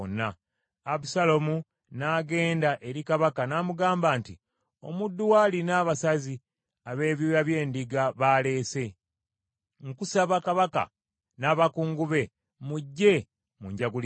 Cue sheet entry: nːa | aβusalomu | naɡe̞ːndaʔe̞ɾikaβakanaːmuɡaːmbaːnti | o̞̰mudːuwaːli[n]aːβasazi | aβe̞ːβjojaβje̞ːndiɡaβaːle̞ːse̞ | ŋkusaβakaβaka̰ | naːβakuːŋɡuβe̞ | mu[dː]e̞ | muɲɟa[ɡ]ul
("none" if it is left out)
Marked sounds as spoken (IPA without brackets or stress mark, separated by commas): n, ɟː, ɡ